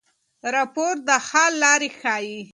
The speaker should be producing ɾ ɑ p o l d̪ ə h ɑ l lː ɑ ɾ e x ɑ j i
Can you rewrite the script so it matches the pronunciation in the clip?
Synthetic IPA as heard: ɾ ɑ p o ɾ d̪ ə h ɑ l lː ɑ ɾ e x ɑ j i